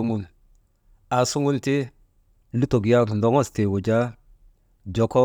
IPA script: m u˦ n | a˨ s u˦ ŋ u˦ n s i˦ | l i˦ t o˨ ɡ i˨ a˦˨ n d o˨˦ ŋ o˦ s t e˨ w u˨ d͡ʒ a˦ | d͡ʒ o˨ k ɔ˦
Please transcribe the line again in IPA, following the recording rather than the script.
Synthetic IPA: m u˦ n | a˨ s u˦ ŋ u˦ n t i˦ | l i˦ t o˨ ɡ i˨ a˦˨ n d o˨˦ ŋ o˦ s t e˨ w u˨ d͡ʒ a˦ | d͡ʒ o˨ k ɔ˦